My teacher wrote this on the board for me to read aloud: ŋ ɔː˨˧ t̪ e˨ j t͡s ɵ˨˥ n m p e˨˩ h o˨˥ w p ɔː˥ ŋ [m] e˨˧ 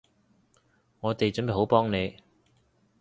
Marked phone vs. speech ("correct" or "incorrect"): incorrect